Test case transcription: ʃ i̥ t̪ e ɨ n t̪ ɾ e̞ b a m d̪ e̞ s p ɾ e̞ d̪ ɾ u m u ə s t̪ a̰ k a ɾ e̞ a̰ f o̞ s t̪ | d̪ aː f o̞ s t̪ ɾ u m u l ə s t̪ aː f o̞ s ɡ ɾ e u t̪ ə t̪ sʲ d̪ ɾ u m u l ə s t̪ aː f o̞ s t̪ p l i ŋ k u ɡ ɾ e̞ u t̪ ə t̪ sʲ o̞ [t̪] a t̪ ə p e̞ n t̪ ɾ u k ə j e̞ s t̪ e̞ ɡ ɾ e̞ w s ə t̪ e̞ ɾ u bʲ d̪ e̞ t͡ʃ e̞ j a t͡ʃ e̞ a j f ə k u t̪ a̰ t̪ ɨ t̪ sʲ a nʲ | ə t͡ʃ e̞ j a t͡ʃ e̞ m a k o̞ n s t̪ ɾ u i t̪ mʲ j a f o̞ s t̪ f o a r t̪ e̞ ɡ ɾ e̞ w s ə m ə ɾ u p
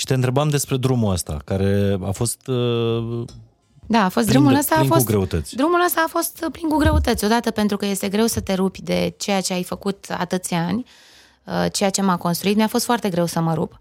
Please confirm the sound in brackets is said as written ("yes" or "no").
no